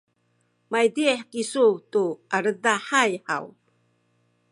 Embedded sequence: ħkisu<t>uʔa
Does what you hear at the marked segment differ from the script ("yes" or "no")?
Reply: no